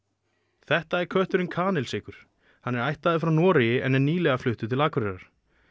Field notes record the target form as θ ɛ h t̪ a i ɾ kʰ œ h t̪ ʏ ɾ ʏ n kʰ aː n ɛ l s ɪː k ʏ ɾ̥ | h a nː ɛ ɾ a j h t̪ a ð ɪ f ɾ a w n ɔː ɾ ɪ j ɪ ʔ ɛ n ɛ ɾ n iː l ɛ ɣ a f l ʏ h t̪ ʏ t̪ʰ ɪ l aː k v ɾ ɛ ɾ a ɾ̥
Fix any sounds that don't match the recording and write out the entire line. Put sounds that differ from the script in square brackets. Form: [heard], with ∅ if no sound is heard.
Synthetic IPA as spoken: θ ɛ h t̪ a [ɛ] ɾ kʰ œ h t̪ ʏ ɾ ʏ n kʰ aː n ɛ l s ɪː k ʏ ɾ̥ | h a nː ɛ ɾ a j h t̪ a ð ɪ f ɾ a w n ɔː ɾ ɪ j ɪ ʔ ɛ n ɛ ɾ n iː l ɛ ɣ a f l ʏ h t̪ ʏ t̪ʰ ɪ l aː k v ɾ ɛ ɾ a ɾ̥